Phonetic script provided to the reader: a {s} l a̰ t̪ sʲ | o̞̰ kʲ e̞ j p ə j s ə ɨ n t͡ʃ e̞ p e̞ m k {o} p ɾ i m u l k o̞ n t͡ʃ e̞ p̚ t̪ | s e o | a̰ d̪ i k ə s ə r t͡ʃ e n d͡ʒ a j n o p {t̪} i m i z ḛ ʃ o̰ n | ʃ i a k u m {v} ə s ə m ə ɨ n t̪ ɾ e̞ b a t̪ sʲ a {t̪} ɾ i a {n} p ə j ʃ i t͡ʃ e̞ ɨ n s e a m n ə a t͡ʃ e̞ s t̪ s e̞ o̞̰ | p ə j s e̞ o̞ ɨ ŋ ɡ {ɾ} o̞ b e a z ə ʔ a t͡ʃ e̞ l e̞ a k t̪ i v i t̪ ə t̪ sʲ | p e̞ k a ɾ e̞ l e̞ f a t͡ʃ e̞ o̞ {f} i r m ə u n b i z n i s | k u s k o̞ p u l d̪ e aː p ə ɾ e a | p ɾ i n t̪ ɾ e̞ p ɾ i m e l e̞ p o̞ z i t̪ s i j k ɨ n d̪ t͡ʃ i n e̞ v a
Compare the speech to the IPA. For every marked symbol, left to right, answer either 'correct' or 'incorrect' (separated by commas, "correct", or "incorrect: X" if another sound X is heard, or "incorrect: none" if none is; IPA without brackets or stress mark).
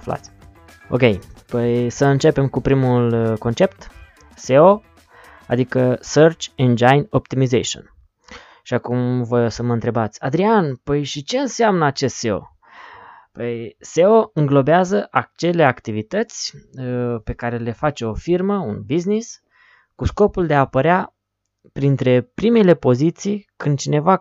incorrect: f, incorrect: u, correct, correct, incorrect: d̪, correct, incorrect: l, correct